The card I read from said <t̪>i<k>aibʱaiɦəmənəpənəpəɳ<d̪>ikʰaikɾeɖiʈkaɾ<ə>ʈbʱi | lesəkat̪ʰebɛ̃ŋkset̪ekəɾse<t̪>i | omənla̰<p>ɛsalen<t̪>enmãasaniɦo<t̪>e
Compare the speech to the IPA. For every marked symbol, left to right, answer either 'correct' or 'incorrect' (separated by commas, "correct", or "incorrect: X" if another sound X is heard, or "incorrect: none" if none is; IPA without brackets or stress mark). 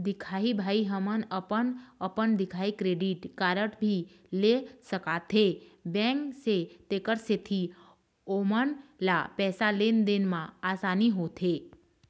incorrect: d̪, incorrect: kʰ, correct, correct, incorrect: t̪ʰ, correct, incorrect: d̪, incorrect: t̪ʰ